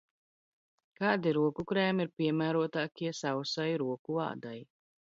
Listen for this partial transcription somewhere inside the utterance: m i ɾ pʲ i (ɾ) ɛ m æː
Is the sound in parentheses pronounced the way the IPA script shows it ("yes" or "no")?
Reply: no